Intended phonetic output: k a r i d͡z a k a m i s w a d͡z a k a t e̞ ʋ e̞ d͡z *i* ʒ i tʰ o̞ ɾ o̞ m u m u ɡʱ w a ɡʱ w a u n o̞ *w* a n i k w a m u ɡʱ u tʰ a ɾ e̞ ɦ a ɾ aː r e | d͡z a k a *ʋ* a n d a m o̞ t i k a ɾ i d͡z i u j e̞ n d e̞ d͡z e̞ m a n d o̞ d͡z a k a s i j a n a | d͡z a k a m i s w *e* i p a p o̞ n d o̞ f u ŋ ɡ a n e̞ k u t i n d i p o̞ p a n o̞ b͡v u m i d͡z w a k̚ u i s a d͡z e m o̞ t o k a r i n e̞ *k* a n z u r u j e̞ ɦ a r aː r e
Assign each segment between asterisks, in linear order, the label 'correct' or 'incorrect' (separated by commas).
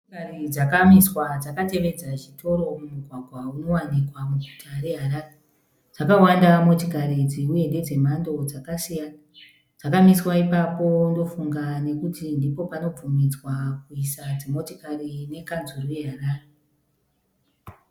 incorrect, correct, incorrect, incorrect, correct